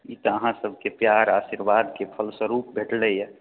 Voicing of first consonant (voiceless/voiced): voiceless